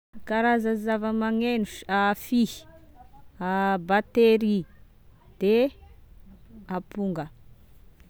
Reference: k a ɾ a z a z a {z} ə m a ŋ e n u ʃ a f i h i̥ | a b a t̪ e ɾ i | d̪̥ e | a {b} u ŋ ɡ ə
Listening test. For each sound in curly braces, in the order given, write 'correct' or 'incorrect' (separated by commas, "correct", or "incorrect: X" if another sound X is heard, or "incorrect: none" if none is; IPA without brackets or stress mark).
incorrect: v, incorrect: p